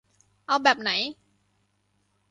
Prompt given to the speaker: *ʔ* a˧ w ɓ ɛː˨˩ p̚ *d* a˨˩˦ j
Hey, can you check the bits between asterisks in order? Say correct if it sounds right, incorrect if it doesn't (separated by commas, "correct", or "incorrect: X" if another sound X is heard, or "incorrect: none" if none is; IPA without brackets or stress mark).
correct, incorrect: n